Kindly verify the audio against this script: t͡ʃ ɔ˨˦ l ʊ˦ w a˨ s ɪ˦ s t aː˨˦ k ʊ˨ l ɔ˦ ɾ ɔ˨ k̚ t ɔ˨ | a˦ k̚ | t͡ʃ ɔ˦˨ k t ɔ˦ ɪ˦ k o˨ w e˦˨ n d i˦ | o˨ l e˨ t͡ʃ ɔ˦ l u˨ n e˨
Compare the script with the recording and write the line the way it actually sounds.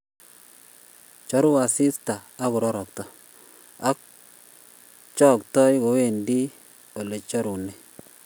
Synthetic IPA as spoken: t͡ʃ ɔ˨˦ ɾ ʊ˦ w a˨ s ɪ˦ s t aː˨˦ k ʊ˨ ɾ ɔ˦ ɾ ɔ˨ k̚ t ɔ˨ | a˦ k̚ | t͡ʃ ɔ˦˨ k t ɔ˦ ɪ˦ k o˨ w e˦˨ n d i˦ | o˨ l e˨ t͡ʃ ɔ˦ ɾ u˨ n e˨